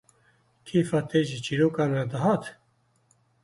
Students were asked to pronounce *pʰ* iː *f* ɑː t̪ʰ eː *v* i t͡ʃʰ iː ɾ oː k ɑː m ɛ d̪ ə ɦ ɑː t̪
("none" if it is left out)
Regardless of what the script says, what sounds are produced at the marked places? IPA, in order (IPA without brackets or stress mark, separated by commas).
kʰ, f, ʒ